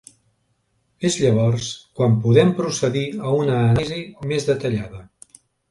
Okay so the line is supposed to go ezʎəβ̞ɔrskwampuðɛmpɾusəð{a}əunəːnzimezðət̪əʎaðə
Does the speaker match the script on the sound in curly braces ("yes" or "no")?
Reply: no